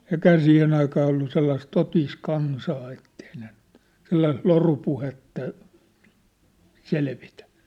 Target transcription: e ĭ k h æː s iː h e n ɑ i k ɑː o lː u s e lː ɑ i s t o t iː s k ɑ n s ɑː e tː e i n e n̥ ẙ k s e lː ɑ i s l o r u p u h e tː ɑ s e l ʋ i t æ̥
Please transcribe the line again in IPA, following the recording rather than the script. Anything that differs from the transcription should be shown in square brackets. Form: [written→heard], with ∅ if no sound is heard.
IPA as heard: e ĭ k h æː s iː h e n ɑ i k ɑː o lː u s e lː ɑ i s t o t iː s k ɑ n s ɑː e tː e i n e n̥ ẙ [k→t] s e lː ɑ i s l o r u p u h e tː ɑ s e l ʋ i t æ̥